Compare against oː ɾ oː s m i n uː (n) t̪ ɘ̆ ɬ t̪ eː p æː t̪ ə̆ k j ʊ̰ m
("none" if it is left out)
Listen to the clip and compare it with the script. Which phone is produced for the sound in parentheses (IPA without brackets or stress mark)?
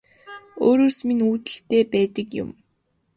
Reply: none